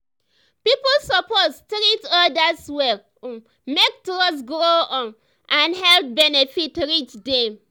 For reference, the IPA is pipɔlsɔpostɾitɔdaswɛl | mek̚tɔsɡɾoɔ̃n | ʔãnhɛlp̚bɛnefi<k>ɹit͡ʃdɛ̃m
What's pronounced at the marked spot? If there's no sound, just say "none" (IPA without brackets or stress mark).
t